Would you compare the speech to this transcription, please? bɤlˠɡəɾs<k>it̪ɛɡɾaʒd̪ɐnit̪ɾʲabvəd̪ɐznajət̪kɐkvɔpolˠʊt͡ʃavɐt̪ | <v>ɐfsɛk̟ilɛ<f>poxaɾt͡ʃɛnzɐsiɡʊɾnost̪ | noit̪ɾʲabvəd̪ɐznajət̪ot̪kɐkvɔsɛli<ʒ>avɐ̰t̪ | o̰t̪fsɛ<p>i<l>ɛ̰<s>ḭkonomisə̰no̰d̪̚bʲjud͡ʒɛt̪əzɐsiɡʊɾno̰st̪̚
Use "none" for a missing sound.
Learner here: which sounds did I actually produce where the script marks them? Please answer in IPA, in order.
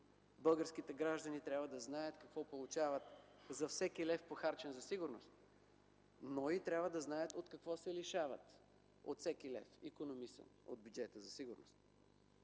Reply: k, z, f, ʃ, k, l, f

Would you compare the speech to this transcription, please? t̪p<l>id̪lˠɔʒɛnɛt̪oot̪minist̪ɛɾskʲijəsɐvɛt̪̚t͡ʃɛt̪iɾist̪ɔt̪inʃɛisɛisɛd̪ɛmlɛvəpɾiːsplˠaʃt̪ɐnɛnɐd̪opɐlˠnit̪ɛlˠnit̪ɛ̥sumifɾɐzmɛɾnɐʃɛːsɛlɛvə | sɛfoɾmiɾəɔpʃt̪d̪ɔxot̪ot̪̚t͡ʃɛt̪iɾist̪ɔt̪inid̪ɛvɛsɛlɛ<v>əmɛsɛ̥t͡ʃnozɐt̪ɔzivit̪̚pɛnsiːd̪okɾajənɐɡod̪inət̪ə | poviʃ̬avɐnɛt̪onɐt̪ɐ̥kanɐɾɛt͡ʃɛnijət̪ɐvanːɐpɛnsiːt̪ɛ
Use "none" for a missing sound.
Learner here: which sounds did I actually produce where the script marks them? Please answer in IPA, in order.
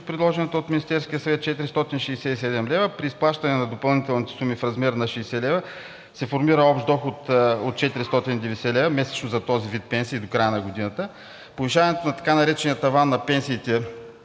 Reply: ɾ, v

